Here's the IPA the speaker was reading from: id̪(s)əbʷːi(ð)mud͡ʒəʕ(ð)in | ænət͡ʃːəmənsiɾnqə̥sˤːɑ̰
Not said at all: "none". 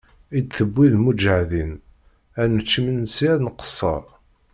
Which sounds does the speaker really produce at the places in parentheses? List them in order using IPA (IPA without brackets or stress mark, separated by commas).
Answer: θ, ð, ð